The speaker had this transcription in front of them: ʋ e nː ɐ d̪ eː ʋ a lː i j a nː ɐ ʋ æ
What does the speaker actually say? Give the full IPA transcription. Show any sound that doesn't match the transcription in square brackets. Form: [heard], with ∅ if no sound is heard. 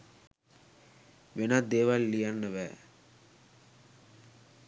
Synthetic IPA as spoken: ʋ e [n] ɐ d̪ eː ʋ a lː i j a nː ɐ ʋ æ